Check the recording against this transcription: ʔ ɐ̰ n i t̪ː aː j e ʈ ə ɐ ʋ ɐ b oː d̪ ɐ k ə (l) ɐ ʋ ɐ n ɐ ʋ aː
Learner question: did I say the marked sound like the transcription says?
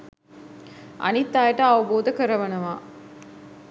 no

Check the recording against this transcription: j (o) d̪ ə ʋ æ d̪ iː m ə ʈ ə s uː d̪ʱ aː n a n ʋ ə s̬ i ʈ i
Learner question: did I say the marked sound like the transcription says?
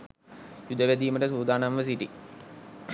no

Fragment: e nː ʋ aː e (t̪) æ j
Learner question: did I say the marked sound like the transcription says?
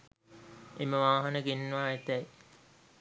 yes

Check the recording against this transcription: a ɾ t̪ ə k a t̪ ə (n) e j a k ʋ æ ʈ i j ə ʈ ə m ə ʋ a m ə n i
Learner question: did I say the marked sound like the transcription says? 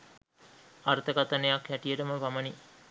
yes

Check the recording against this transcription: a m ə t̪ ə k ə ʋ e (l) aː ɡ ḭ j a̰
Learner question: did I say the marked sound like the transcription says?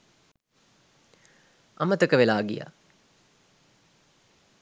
yes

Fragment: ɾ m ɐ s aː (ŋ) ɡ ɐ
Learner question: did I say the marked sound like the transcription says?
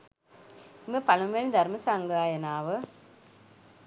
yes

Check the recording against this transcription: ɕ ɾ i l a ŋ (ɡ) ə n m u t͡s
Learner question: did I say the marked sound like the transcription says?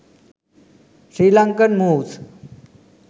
no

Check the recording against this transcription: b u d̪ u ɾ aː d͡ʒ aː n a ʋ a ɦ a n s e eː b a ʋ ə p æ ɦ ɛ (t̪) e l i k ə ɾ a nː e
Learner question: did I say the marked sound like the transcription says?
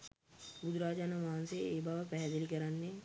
no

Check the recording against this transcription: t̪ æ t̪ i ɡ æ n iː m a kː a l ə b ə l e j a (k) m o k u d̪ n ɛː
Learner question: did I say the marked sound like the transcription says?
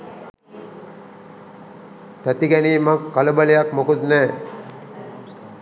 yes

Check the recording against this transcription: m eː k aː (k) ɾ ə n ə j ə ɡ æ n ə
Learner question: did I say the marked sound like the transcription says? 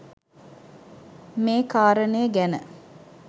no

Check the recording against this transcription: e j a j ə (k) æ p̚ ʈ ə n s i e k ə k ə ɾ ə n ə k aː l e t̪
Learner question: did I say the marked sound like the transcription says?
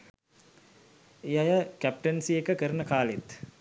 yes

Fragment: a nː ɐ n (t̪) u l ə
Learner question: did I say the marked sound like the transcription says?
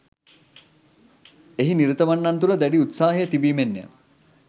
yes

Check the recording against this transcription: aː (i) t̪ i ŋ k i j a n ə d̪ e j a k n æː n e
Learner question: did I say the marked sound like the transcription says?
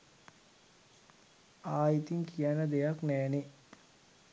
yes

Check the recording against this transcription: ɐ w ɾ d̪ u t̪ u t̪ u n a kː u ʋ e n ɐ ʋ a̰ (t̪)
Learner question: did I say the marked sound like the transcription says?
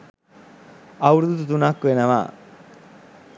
no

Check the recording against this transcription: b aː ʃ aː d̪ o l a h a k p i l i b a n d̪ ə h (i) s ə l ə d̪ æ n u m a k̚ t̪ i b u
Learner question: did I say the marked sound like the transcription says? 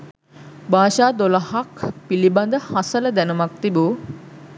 no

